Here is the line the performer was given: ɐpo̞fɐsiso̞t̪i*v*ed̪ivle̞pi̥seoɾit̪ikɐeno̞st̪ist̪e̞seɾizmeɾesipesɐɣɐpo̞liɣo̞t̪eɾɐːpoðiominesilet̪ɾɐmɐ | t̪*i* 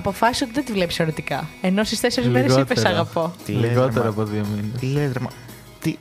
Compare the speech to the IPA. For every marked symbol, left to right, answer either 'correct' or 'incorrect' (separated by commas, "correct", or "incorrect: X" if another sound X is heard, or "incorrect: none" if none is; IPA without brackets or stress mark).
incorrect: ð, correct